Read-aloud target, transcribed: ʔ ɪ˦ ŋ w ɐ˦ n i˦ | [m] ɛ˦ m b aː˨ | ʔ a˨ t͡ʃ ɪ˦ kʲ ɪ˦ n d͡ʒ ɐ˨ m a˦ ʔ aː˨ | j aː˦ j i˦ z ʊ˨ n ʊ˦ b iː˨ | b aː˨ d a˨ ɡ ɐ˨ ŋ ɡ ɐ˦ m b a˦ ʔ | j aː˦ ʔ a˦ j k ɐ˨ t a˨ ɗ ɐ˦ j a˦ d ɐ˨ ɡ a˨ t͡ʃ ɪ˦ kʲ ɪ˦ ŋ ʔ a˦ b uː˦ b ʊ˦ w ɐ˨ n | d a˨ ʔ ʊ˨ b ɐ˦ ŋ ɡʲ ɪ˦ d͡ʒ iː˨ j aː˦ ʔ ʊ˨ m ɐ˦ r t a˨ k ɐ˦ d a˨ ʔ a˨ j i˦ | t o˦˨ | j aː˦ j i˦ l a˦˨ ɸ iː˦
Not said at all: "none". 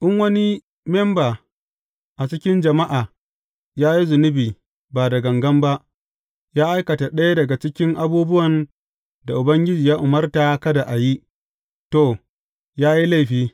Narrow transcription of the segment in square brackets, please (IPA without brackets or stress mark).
m